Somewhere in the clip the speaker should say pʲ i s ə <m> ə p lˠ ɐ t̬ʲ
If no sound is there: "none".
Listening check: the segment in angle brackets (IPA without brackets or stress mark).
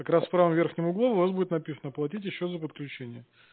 n